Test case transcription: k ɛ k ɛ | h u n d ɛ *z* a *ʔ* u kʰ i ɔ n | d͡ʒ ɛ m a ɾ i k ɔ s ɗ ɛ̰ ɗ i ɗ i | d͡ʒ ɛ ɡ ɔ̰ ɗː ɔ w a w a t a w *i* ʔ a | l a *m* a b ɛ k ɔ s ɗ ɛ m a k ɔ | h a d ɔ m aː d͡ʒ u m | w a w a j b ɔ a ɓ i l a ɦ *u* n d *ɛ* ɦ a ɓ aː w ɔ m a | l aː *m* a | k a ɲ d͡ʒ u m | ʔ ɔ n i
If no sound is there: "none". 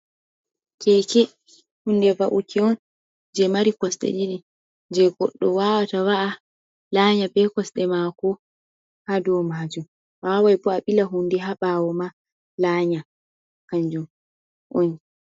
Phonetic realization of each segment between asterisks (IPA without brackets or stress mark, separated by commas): v, ʔ, a, ɲ, u, ɛ, ɲ